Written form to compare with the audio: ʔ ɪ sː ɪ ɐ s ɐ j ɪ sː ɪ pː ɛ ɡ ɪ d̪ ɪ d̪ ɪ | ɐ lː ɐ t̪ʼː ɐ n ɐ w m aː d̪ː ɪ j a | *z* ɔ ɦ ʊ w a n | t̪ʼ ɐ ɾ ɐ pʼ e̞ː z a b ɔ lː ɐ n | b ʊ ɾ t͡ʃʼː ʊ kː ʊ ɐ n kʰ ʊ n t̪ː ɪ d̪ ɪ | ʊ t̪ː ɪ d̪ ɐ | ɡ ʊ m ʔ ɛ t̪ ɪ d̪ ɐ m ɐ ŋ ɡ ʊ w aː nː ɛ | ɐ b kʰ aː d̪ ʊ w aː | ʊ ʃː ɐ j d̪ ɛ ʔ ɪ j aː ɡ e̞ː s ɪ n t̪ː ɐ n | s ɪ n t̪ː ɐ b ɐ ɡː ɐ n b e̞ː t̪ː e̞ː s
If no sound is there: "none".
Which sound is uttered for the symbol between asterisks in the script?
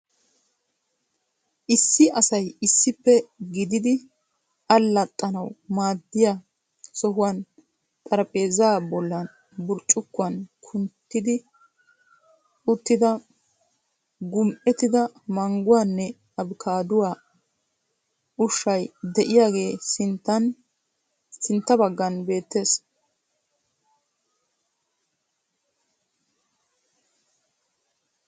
s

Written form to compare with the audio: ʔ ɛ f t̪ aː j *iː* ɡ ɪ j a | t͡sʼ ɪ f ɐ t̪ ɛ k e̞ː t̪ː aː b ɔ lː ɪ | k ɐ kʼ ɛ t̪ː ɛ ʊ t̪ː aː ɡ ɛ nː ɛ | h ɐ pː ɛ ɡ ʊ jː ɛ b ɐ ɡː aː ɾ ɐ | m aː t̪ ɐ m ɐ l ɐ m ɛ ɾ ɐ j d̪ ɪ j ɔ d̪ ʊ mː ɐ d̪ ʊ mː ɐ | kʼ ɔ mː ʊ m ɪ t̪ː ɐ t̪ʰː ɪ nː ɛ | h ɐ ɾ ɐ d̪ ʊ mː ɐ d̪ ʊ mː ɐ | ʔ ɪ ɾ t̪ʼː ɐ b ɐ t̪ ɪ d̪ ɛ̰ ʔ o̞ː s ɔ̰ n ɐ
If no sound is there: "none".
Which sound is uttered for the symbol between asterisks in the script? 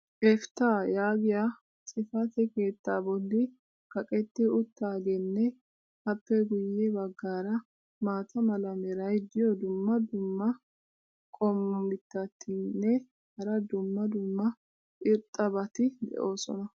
aː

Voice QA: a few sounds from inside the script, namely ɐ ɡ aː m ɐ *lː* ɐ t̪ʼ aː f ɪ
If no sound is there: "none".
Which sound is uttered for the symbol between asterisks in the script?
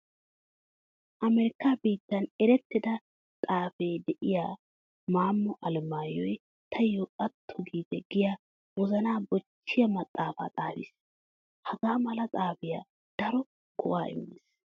l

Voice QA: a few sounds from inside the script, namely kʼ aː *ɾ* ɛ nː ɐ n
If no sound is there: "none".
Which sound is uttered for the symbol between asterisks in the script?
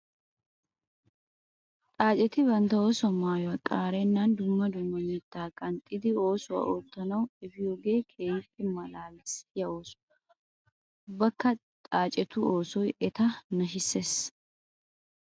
ɾ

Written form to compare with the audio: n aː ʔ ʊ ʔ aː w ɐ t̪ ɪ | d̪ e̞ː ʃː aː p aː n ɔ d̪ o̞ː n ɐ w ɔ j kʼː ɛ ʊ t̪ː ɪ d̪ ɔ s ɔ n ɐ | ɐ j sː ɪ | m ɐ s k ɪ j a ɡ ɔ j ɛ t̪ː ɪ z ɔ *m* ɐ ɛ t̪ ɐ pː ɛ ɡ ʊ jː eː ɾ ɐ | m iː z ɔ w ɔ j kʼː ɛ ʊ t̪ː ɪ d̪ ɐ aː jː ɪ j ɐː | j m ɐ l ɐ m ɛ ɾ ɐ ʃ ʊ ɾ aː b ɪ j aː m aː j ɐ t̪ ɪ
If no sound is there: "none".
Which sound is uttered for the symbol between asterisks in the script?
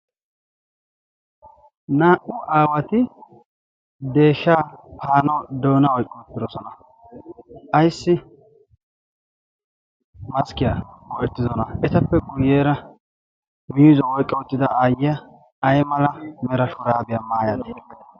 n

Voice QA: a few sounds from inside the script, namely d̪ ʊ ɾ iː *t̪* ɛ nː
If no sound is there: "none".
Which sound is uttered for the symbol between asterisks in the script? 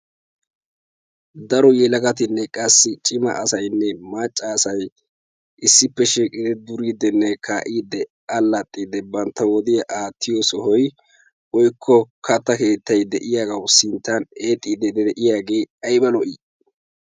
d̪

